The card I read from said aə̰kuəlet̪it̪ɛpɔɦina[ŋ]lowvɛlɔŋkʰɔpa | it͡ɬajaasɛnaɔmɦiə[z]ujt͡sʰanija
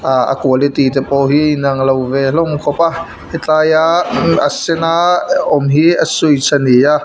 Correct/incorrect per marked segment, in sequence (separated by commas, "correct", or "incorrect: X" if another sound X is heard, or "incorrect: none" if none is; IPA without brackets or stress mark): correct, incorrect: s